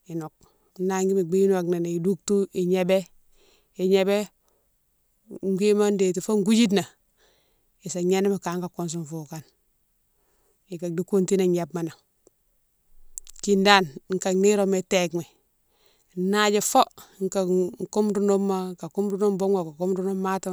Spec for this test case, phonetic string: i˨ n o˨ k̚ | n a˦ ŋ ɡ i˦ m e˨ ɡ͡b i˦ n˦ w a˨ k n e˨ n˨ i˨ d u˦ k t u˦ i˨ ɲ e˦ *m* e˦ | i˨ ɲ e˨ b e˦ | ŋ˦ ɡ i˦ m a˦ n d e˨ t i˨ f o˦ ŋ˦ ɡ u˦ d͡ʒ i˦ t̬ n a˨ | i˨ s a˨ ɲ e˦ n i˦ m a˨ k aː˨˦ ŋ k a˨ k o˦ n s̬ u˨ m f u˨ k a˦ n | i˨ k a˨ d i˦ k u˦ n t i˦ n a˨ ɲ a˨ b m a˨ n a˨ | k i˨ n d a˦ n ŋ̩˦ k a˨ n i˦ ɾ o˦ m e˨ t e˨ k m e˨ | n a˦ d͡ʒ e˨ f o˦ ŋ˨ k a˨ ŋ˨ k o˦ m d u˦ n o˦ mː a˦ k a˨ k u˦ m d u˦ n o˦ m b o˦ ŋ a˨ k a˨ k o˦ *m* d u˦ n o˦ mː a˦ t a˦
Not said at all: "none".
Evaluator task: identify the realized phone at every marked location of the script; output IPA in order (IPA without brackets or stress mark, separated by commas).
b, m